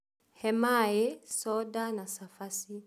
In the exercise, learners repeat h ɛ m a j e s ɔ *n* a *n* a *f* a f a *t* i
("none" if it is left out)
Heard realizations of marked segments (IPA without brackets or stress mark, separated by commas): d, n, s, s